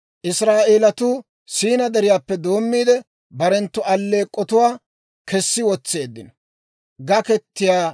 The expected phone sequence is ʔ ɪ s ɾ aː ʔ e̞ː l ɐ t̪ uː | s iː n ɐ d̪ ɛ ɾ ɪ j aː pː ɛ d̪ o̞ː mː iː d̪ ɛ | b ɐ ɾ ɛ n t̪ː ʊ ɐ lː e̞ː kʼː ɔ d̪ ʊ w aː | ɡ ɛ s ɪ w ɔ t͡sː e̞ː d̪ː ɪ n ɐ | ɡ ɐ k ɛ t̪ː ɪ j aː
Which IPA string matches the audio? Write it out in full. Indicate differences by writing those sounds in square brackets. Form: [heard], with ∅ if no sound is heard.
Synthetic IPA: ʔ ɪ s ɾ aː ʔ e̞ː l ɐ t̪ uː | s iː n ɐ d̪ ɛ ɾ ɪ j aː pː ɛ d̪ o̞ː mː iː d̪ ɛ | b ɐ ɾ ɛ n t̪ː ʊ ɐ lː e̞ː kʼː ɔ [t̪] ʊ w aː | [k] ɛ [sː] ɪ w ɔ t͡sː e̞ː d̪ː ɪ n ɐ | ɡ ɐ k ɛ t̪ː ɪ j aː